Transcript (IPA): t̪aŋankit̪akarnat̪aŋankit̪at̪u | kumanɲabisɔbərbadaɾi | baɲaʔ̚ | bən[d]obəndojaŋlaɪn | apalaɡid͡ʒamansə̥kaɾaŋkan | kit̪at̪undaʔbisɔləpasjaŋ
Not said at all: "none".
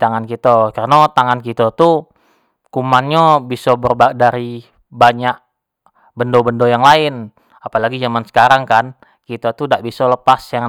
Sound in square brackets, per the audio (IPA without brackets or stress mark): d